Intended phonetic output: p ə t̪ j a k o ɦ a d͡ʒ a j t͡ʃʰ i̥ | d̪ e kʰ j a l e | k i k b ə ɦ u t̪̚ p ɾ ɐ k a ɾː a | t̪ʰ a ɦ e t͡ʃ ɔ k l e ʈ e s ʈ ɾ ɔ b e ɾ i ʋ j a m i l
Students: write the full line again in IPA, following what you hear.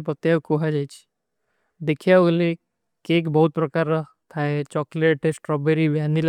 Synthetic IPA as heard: p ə t̪ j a k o ɦ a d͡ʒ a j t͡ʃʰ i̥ | d̪ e kʰ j a l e | k e k b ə ɦ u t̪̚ p ɾ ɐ k a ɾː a | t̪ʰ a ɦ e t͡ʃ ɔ k l e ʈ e s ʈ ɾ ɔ b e ɾ i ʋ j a n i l

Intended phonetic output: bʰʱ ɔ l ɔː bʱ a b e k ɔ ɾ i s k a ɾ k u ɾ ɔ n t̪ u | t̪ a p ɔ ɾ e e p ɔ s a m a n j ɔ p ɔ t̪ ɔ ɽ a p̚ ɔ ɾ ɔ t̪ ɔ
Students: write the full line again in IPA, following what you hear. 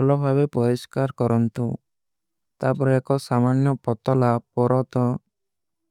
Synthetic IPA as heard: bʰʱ ɔ l ɔ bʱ a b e p ɔ ɾ i s k a ɾ k ɔ ɾ ɔ n t̪ u | t̪ a p ɔ ɾ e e k ɔ s a m a n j ɔ p ɔ t̪ ɔ l a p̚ ɔ ɾ ɔ t̪ ɔ

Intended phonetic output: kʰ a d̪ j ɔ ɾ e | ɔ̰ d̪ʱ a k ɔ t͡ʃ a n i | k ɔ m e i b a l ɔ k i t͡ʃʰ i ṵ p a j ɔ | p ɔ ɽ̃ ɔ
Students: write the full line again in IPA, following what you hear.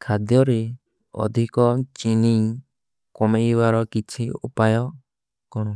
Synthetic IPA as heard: kʰ a d̪ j ɔ ɾ e | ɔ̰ d̪ʱ i k ɔ t͡ʃ i n i | k ɔ m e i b a ɾ ɔ k i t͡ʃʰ i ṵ p a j ɔ | k ɔ ɽ̃ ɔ

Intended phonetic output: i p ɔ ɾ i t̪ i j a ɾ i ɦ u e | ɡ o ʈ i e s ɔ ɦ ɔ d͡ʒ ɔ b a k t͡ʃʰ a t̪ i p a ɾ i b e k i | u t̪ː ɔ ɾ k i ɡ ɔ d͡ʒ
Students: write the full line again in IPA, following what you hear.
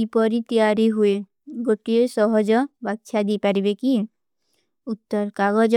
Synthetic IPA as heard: i p ɔ ɾ i t̪ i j a ɾ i ɦ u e | ɡ o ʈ i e s ɔ ɦ ɔ d͡ʒ ɔ b a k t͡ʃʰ a d̪ i p a ɾ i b e k i | u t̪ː ɔ ɾ k a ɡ ɔ d͡ʒ

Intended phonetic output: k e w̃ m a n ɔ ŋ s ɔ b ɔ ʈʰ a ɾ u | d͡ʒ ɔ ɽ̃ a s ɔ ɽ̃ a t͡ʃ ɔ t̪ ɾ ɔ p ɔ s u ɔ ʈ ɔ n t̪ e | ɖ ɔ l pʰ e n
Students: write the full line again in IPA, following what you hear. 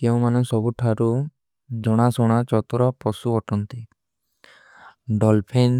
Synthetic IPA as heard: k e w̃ m a n ɔ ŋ s ɔ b u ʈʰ a ɾ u | d͡ʒ ɔ ɽ̃ a s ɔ ɽ̃ a t͡ʃ ɔ t̪ ɾ ɔ p ɔ s u ɔ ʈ ɔ n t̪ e | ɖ ɔ l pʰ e n

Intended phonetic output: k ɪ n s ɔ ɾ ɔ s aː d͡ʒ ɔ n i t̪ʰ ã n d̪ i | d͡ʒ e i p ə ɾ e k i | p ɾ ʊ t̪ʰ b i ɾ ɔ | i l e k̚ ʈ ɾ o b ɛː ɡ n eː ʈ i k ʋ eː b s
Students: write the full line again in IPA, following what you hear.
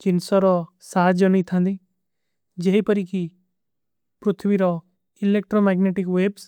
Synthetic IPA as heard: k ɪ n s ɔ ɾ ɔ s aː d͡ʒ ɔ n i t̪ʰ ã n d̪ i | d͡ʒ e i p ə ɾ i k i | p ɾ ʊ t̪ʰ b i ɾ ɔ | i l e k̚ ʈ ɾ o m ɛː ɡ n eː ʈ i k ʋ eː b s

